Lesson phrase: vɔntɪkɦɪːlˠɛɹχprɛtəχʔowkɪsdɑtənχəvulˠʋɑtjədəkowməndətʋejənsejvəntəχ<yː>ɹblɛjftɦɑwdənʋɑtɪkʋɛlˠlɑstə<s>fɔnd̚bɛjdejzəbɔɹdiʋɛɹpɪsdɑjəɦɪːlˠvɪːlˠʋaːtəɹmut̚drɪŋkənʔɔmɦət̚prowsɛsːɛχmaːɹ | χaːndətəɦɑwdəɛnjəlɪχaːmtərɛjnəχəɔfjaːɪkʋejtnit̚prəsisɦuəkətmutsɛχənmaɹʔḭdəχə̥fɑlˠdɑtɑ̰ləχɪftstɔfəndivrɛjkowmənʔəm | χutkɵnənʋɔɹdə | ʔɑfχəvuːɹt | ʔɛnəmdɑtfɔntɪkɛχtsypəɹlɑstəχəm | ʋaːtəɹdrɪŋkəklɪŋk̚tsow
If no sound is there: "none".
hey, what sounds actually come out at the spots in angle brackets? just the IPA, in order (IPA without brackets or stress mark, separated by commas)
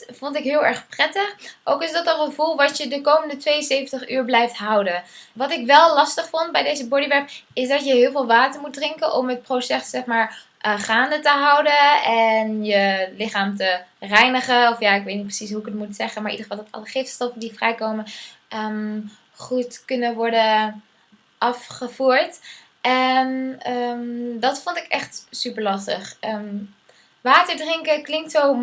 yː, χ